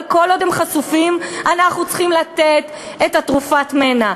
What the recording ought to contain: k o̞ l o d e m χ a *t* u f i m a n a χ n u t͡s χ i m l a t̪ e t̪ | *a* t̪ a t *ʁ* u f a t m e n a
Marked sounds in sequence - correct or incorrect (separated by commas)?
incorrect, incorrect, correct